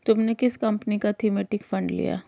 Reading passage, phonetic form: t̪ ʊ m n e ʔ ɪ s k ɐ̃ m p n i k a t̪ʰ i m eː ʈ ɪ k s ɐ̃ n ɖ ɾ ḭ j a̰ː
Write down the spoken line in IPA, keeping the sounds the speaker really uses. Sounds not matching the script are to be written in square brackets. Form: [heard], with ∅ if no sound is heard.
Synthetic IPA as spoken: t̪ ʊ m n e [k] ɪ s k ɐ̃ m p n i k a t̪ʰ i m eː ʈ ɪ k [f] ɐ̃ [ɳ] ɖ [l] ḭ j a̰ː